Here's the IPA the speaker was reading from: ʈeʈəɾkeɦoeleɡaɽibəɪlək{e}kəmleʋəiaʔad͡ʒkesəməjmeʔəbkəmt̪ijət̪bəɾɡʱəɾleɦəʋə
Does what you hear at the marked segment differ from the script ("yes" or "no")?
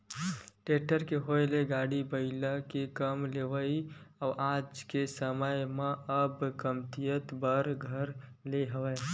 no